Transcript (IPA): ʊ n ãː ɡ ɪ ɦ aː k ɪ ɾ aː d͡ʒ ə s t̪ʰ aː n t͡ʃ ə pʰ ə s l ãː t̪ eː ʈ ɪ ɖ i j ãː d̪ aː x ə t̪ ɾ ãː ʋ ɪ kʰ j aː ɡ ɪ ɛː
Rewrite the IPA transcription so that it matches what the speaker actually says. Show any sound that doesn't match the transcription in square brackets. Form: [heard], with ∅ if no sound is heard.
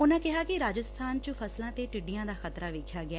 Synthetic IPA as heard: ʊ n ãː [k] ɪ ɦ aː k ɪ ɾ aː d͡ʒ ə s t̪ʰ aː n t͡ʃ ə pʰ ə s l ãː t̪ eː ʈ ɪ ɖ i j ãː d̪ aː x ə t̪ ɾ [aː] ʋ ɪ kʰ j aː ɡ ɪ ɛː